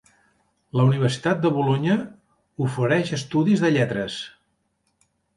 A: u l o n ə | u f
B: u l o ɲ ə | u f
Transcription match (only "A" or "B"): B